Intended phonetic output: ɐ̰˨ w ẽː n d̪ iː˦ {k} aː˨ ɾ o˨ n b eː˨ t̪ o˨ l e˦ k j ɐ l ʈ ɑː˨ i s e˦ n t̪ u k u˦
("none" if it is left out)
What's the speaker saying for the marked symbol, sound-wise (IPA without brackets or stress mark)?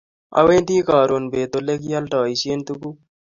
k